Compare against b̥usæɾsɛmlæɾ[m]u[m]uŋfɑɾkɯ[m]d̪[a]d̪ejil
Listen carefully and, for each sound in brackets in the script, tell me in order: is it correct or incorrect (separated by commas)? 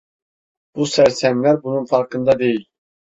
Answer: incorrect, incorrect, incorrect, incorrect